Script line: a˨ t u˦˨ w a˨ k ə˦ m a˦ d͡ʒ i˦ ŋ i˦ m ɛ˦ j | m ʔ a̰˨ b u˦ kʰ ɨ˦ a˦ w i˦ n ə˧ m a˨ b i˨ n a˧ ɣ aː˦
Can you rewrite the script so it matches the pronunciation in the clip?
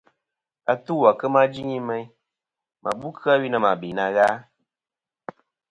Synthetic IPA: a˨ t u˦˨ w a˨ k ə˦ m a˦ d͡ʒ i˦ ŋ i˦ m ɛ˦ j | m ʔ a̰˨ b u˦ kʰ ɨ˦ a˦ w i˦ n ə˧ m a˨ b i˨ n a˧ ɣ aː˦